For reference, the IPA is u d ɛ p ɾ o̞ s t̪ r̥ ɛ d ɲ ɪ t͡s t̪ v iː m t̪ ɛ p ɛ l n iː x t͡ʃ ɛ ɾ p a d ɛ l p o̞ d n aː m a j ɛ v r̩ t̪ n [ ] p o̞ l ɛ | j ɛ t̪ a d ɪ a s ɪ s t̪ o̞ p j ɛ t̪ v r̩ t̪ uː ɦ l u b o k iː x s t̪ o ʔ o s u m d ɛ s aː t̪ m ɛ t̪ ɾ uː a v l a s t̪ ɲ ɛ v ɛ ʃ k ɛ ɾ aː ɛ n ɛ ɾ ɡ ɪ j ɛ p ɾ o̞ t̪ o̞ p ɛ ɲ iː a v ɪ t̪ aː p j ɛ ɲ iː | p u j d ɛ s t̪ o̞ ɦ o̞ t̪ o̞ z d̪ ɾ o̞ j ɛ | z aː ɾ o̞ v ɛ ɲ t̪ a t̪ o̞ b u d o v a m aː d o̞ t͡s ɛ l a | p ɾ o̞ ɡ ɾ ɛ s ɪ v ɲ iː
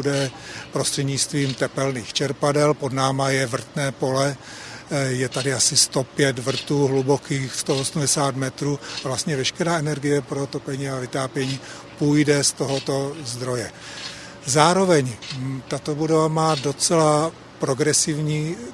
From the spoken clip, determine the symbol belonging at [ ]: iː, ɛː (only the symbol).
ɛː